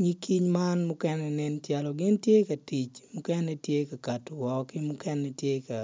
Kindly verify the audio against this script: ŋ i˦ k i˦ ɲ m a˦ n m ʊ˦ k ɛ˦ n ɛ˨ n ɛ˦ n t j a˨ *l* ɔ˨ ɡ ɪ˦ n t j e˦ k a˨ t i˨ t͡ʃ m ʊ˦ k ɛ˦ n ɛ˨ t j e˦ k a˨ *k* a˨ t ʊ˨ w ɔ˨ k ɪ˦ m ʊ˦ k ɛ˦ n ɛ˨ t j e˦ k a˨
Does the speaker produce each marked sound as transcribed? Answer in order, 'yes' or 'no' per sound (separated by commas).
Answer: yes, yes